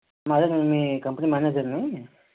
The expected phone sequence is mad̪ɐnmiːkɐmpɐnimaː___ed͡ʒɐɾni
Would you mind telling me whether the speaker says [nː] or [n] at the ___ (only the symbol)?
n